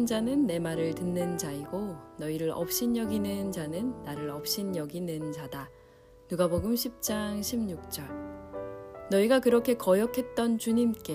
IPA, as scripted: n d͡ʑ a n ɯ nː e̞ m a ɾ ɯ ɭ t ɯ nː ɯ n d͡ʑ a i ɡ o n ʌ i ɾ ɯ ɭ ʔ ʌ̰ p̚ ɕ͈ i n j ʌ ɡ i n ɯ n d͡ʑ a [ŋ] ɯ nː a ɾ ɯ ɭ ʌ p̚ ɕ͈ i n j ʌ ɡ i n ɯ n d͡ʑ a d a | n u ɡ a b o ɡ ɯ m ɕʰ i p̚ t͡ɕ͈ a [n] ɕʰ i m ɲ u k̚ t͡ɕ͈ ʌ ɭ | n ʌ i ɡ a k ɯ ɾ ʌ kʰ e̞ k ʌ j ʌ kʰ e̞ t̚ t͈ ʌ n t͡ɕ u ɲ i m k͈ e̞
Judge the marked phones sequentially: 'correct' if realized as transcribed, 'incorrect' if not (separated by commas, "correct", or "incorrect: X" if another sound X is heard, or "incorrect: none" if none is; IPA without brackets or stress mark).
incorrect: n, incorrect: ŋ